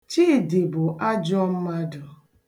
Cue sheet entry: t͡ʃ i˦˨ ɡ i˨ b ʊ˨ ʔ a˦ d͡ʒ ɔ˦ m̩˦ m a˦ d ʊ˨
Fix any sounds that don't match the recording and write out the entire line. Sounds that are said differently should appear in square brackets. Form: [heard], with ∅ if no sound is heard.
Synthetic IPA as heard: t͡ʃ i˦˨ [d] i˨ b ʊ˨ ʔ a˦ d͡ʒ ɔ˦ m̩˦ m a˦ d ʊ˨